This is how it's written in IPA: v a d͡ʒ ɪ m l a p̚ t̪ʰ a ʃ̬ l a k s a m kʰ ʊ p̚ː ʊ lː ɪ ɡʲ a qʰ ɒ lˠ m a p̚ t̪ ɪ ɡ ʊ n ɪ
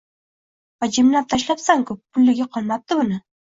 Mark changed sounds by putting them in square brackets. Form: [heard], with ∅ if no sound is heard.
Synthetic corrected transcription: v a d͡ʒ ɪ m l a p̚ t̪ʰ a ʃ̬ l a [p] s a [ŋ] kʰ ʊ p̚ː ʊ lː ɪ ɡʲ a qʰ ɒ lˠ m a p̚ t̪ ɪ [b] ʊ n ɪ